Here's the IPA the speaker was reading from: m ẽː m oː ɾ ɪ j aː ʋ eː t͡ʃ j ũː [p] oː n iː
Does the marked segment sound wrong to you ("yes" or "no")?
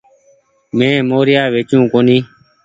yes